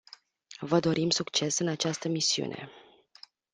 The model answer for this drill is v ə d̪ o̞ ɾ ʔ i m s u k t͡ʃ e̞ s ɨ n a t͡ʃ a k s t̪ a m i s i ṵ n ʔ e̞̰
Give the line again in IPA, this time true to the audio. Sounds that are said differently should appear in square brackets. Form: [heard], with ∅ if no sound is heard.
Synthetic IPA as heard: v ə d̪ o̞ ɾ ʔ i m s u k t͡ʃ e̞ s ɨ n a t͡ʃ a [∅] s t̪ [ə] m i s i ṵ n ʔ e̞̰

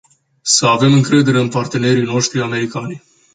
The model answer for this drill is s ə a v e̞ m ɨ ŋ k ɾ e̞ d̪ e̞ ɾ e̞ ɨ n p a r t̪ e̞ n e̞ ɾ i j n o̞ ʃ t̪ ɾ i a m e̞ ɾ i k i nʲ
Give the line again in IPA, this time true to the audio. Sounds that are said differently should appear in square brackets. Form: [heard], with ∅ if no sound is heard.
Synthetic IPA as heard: s ə a v e̞ m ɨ ŋ k ɾ e̞ d̪ e̞ ɾ e̞ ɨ n p a r t̪ e̞ n e̞ ɾ i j n o̞ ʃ t̪ ɾ i a m e̞ ɾ i k [a] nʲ

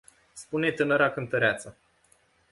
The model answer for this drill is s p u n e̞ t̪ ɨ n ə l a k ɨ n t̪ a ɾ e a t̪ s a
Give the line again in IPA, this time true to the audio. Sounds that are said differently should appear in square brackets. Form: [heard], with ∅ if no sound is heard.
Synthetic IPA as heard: s p u n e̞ t̪ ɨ n ə [ɾ] a k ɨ n t̪ [ə] ɾ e a t̪ s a

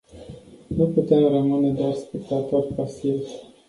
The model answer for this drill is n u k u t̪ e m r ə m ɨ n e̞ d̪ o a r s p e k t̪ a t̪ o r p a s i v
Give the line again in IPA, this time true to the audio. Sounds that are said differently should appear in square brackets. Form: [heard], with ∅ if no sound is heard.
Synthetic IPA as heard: n u [p] u t̪ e m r ə m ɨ n e̞ d̪ o a r s p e k t̪ a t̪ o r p a s i v

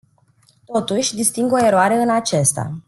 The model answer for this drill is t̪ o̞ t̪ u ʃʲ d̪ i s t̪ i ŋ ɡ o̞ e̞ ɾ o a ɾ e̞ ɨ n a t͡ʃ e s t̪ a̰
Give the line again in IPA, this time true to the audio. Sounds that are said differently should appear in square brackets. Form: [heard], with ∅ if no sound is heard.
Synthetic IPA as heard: t̪ o̞ t̪ u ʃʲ d̪ i s t̪ i ŋ ɡ o̞ e̞ ɾ o a ɾ e̞ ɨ n a t͡ʃ e s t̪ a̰

